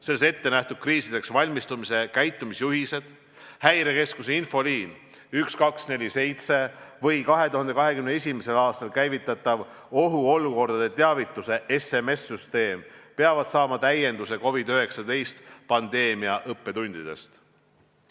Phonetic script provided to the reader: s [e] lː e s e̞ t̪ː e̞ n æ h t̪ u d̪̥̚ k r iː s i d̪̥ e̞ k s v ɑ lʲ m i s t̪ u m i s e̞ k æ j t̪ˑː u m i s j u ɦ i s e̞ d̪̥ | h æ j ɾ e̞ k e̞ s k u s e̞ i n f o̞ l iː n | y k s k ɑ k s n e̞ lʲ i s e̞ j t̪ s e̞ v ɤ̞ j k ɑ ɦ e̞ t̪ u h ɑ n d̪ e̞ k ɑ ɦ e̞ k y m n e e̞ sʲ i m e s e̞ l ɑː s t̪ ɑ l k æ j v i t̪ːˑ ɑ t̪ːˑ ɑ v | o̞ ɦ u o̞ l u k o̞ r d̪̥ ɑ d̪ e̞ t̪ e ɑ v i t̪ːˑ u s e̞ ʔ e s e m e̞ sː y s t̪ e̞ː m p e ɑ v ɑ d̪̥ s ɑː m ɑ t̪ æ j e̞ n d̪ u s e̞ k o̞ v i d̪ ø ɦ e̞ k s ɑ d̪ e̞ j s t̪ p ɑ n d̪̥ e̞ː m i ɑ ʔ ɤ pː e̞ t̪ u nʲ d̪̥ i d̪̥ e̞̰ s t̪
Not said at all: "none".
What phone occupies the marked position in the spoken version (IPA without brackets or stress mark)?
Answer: e